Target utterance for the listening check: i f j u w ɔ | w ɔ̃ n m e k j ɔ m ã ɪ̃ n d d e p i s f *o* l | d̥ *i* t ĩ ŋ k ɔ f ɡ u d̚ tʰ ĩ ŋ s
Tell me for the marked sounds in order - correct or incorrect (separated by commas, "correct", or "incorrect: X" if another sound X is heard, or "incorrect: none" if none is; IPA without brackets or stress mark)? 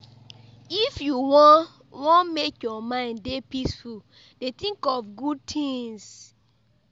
incorrect: u, incorrect: e